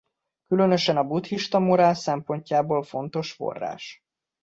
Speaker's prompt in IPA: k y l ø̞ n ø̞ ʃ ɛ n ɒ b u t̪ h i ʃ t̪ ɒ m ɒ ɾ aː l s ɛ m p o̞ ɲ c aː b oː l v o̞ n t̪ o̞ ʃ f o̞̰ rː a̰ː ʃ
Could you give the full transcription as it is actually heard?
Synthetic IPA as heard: k y l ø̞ n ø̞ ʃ ɛ n ɒ b u t̪ h i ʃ t̪ ɒ m o ɾ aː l s ɛ m p o̞ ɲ c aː b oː l f o̞ n t̪ o̞ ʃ f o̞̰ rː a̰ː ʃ